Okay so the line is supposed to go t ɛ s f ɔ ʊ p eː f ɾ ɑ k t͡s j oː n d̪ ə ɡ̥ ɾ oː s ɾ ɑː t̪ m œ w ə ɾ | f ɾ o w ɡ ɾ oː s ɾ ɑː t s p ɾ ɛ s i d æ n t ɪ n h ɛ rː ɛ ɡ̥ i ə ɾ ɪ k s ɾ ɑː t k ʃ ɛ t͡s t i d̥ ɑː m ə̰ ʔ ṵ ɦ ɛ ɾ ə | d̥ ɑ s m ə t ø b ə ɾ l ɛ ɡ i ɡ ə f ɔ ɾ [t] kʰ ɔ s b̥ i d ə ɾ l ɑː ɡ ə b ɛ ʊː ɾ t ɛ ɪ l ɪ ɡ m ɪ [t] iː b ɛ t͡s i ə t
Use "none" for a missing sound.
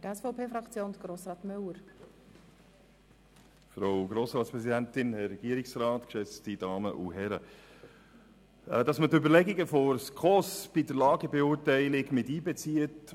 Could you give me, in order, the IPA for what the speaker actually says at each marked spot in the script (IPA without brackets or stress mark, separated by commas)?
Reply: s, t